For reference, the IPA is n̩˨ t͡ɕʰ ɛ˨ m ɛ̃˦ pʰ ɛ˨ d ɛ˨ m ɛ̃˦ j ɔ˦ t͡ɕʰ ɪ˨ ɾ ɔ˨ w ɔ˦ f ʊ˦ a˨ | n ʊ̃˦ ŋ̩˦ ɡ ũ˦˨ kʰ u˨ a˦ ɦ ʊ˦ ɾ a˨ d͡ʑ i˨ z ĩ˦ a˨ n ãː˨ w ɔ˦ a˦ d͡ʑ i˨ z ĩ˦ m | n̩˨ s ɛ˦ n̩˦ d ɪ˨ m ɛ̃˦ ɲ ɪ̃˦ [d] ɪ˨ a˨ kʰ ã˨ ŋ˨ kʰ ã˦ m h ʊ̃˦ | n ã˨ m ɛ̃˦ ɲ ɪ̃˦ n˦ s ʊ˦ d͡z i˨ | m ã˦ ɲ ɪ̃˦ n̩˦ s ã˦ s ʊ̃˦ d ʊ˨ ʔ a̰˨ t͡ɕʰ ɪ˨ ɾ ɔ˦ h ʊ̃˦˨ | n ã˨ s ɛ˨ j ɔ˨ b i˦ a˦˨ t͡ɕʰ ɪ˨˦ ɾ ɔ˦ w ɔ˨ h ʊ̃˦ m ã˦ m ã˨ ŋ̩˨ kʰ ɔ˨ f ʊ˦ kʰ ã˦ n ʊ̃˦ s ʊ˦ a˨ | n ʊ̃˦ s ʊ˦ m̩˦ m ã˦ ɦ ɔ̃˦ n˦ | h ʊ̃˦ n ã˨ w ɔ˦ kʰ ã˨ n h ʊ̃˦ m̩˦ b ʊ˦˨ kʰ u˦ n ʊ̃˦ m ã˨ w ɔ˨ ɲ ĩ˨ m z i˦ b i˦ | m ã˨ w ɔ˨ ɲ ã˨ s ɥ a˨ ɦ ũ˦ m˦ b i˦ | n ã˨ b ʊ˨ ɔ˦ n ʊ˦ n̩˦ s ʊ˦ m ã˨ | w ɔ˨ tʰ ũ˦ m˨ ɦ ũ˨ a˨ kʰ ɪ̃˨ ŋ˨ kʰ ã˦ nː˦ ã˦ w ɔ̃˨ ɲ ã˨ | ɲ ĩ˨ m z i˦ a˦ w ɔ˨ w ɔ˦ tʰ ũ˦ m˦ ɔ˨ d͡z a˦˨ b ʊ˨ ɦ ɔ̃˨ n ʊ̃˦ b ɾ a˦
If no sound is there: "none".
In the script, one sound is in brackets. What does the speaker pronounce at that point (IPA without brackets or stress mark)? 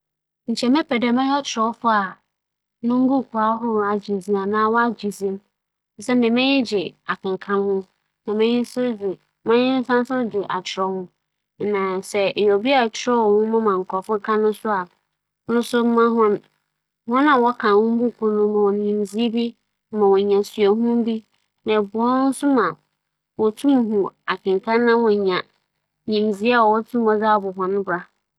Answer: d͡ʑ